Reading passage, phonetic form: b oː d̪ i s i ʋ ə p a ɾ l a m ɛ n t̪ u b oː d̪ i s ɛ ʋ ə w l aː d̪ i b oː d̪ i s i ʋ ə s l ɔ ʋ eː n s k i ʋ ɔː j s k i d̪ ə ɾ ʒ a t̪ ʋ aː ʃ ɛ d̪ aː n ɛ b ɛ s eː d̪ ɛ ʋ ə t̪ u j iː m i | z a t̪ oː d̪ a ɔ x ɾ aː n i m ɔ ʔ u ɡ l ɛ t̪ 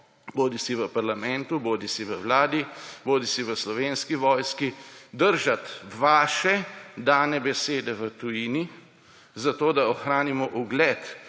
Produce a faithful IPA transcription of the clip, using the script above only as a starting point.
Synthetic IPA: b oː d̪ i s i ʋ ə p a ɾ l a m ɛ n t̪ u b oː d̪ i s i ʋ ə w l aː d̪ i b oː d̪ i s i ʋ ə s l ɔ ʋ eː n s k i ʋ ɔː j s k i d̪ ə ɾ ʒ a t̪ ʋ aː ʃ ɛ d̪ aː n ɛ b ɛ s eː d̪ ɛ ʋ ə t̪ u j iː n i | z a t̪ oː d̪ a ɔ x ɾ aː n i m ɔ ʔ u ɡ l ɛ t̪